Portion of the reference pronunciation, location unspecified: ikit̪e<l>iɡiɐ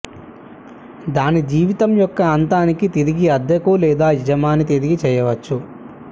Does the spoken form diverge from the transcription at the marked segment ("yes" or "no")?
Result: yes